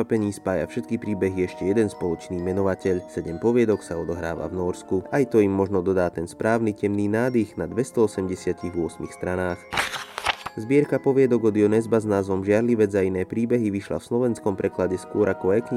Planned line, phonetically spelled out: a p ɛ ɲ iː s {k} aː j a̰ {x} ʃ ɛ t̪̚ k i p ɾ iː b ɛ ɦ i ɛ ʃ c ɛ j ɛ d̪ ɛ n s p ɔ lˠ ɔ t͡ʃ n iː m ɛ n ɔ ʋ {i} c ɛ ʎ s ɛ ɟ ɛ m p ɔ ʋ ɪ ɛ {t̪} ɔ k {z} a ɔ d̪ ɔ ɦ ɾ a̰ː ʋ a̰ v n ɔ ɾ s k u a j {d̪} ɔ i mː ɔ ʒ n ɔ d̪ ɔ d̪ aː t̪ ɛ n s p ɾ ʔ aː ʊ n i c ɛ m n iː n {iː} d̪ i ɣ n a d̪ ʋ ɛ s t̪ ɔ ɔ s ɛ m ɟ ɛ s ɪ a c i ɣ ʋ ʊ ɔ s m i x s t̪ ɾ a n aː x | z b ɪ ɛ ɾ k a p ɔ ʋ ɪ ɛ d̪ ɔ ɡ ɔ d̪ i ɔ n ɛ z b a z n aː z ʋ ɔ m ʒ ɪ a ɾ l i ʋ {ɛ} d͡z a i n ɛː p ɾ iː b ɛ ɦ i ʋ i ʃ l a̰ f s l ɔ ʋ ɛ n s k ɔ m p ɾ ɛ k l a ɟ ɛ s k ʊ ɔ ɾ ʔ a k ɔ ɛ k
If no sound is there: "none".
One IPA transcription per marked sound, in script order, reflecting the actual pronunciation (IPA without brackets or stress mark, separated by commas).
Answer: p, f, a, d̪, s, t̪, aː, ɛ